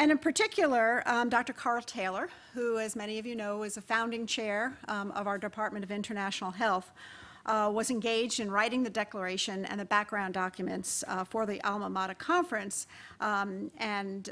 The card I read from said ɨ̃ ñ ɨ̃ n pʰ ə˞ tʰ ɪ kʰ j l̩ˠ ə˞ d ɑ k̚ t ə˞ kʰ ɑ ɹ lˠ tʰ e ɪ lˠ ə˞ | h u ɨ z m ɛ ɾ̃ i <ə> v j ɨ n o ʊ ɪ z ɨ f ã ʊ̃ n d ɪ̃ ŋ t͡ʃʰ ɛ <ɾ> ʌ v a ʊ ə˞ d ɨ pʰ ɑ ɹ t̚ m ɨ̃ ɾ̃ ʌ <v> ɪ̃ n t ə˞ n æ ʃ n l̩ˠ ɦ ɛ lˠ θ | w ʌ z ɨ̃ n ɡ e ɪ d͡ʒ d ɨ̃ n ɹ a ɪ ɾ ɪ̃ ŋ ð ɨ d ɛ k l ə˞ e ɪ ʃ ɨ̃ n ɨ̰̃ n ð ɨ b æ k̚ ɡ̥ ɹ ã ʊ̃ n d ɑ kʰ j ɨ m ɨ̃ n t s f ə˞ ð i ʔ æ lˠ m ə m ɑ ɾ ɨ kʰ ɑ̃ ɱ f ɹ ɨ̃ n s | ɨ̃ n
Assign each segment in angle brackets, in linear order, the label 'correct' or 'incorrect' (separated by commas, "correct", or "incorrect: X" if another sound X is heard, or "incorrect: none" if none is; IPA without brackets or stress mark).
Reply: incorrect: ʌ, incorrect: ɹ, correct